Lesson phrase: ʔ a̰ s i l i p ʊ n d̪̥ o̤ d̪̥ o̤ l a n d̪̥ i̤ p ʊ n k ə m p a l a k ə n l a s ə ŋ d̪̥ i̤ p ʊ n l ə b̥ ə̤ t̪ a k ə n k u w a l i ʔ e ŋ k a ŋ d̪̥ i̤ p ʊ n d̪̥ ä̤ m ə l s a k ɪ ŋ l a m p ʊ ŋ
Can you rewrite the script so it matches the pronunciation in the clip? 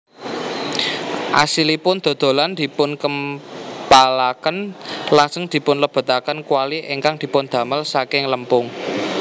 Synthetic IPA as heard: ʔ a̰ s i l i p ʊ n d̪̥ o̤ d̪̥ o̤ l a n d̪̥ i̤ p ʊ n k ə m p a l a k ə n l a s ə ŋ d̪̥ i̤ p ʊ n l ə b̥ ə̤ t̪ a k ə n k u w a l i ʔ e ŋ k a ŋ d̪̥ i̤ p ʊ n d̪̥ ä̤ m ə l s a k ɪ ŋ l ə m p ʊ ŋ